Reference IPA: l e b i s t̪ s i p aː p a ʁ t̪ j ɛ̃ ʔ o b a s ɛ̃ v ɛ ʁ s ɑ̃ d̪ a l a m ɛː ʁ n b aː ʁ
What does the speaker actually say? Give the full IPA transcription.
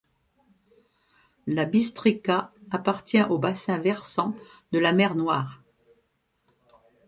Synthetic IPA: l a b i s t̪ χ i k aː p a ʁ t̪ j ɛ̃ ʔ o b a s ɛ̃ v ɛ ʁ s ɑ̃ d̪ ə l a m ɛ ʁ n w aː ʁ